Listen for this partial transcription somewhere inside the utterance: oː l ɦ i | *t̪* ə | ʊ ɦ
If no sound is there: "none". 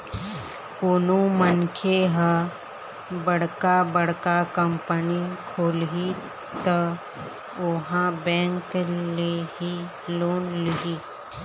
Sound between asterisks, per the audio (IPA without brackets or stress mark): t̪